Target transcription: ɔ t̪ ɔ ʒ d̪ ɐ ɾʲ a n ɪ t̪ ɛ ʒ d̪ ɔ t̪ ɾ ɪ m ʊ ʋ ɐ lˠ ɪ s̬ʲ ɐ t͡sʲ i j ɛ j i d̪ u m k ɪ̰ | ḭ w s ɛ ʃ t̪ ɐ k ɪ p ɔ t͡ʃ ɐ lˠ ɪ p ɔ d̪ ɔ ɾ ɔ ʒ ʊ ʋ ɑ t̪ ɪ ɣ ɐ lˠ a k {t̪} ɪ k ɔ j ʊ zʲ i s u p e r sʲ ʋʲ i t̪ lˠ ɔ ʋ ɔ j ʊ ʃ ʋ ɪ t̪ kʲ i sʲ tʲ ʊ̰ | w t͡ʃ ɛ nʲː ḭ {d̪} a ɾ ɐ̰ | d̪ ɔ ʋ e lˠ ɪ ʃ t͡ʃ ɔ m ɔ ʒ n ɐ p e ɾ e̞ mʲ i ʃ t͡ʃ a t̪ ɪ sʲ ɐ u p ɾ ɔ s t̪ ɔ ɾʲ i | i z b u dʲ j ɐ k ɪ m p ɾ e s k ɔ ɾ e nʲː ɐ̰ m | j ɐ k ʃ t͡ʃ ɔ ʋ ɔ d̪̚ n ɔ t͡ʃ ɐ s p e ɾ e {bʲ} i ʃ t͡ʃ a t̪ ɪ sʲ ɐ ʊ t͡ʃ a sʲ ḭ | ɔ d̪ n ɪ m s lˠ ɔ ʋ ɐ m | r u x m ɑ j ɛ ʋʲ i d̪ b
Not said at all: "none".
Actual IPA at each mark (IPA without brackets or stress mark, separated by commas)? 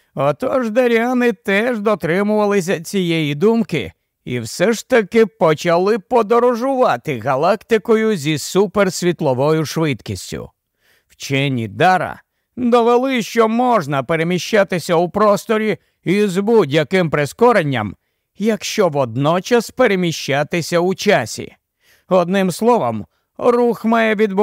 t̪, d̪, mʲ